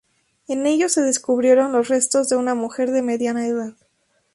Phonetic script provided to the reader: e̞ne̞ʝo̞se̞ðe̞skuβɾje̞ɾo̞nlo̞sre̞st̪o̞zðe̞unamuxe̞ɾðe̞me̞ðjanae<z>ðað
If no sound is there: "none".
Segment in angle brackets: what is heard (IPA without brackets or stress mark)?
none